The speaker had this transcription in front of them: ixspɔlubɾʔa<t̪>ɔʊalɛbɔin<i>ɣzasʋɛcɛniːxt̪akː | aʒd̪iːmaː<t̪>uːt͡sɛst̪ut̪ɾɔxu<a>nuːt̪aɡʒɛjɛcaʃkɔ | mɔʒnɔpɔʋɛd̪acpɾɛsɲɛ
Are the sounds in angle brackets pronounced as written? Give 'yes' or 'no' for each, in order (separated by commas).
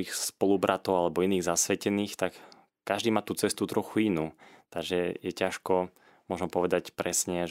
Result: yes, no, yes, no